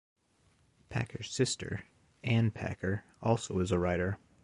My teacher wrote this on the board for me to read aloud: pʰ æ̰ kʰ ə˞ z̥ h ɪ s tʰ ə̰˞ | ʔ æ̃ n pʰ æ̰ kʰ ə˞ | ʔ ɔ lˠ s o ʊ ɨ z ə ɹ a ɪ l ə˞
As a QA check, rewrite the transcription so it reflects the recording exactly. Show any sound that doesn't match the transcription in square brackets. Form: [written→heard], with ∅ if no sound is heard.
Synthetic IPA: pʰ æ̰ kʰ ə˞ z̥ [h→s] ɪ s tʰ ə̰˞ | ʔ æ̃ n pʰ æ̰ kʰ ə˞ | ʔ ɔ lˠ s o ʊ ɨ z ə ɹ a ɪ [l→ɾ] ə˞